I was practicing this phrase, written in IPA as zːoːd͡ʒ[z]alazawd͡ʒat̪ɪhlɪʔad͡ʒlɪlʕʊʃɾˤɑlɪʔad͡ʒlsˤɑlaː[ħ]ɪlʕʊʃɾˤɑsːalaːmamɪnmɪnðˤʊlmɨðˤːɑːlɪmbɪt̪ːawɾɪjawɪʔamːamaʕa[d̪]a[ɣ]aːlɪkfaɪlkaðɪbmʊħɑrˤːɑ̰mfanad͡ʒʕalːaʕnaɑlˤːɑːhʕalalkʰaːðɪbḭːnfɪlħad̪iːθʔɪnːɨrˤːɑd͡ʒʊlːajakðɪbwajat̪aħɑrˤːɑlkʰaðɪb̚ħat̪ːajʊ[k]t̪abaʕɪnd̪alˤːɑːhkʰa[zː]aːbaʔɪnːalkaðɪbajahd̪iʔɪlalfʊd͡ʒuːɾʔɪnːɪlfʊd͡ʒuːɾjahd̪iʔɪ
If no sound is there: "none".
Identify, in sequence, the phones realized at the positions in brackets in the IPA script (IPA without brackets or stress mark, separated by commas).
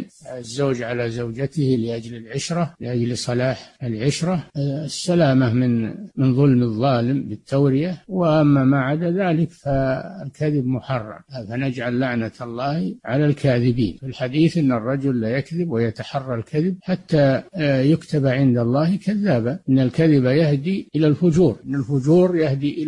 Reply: ʕ, ħ, d̪, ð, k, ðː